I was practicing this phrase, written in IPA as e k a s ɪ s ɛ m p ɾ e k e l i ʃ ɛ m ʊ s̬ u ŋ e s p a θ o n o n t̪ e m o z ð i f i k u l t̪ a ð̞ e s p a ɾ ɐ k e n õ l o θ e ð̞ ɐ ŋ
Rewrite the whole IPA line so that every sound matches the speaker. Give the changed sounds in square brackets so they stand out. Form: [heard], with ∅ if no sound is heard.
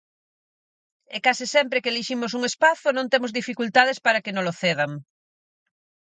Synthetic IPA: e k a s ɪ s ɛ m p ɾ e k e l i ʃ [i] m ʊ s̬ u ŋ e s p a θ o n [õ] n t̪ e m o z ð i f i k u l t̪ a ð̞ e s p a ɾ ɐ k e n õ l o θ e ð̞ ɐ ŋ